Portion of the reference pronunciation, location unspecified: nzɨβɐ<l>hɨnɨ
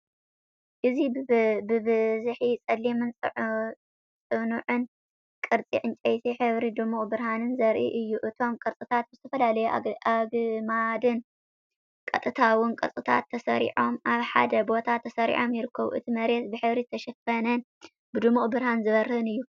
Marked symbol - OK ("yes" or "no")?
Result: no